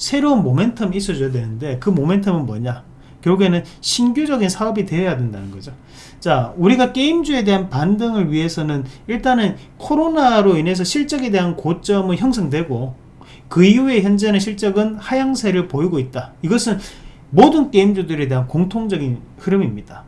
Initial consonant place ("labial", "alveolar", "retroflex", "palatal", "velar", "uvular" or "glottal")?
alveolar